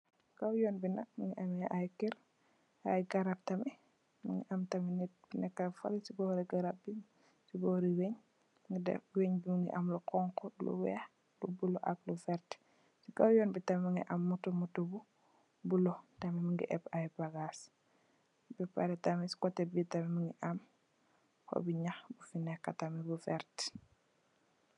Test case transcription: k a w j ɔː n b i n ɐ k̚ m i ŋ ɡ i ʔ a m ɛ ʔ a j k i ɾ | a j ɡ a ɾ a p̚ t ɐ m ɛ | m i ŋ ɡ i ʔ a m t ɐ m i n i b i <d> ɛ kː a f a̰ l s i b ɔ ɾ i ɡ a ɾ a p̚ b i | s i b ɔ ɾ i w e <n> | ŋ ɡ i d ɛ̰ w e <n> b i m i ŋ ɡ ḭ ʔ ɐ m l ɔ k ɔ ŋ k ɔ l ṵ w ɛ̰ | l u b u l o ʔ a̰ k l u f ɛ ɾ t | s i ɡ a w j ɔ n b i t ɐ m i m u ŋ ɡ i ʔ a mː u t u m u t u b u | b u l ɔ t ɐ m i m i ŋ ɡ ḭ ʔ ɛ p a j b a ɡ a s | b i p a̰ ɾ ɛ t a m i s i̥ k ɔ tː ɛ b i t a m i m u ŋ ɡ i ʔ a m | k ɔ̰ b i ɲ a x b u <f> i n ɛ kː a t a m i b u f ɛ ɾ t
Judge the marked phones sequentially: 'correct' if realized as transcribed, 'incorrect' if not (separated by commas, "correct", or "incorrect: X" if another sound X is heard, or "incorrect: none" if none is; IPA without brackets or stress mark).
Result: incorrect: n, incorrect: ɲ, incorrect: ɲ, correct